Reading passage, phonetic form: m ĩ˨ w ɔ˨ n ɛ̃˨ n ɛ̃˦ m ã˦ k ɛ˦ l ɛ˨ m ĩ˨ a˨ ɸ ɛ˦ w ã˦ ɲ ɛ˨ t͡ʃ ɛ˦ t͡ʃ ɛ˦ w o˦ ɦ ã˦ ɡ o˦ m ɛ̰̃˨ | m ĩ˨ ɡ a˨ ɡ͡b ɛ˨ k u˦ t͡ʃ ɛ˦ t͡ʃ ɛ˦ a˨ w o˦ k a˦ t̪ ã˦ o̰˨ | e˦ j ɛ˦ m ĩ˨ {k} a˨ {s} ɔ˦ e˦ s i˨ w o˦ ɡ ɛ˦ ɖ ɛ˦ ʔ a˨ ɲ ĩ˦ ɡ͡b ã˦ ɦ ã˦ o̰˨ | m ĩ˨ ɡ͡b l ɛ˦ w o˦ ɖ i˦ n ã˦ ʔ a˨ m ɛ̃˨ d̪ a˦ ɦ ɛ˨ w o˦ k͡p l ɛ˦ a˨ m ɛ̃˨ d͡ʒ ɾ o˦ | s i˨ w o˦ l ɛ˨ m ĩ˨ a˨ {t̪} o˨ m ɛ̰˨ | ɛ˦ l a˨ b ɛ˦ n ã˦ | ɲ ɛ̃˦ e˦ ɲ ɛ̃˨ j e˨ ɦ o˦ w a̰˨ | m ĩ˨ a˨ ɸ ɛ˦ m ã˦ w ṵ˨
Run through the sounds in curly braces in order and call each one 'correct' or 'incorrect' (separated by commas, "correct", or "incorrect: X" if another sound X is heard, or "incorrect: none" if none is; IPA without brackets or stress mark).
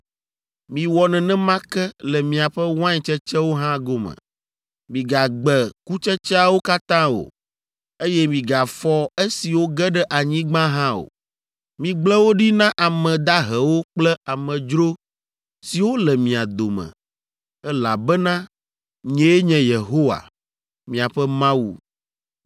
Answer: incorrect: ɡ, incorrect: f, incorrect: d̪